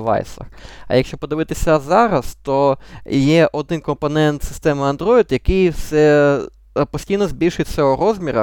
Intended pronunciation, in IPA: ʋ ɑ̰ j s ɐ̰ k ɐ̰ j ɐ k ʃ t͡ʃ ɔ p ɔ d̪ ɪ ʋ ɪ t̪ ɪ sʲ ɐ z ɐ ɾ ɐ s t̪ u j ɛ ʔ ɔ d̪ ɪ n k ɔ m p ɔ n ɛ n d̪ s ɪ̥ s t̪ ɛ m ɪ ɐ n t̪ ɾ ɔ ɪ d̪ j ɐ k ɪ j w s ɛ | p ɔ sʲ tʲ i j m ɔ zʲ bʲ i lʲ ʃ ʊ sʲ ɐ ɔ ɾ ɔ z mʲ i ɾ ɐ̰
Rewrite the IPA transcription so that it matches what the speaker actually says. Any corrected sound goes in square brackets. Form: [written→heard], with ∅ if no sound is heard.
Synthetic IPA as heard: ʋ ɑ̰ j s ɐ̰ [k→x] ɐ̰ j ɐ k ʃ t͡ʃ ɔ p ɔ d̪ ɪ ʋ ɪ t̪ ɪ sʲ ɐ z [ɐ→ɑ] ɾ ɐ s t̪ [u→ɔ] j ɛ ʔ ɔ d̪ ɪ n k ɔ m p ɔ n ɛ n [d̪→t̪] s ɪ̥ s t̪ ɛ m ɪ ɐ n [t̪→d̪] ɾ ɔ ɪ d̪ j ɐ k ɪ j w s ɛ | p ɔ sʲ tʲ i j [m→n] ɔ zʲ bʲ i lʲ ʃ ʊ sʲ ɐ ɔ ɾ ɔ z mʲ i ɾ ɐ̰